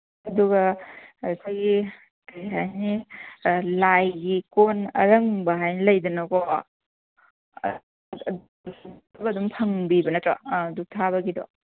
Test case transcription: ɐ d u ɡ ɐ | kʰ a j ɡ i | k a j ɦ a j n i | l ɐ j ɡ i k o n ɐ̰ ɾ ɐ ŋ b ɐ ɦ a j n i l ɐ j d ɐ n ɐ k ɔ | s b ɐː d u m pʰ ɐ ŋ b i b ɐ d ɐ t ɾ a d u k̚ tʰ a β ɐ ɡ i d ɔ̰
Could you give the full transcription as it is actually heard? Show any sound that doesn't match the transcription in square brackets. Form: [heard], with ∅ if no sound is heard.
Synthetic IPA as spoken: ɐ d u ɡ ɐ | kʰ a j ɡ i | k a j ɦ a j n i | l [a] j ɡ i k o n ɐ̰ ɾ ɐ ŋ b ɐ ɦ a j n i l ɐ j d ɐ n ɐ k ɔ | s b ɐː d u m pʰ ɐ ŋ b i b ɐ [n] ɐ t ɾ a d u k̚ tʰ a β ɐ ɡ i d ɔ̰